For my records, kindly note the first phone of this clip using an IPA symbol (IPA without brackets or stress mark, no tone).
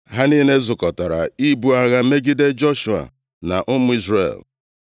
ɦ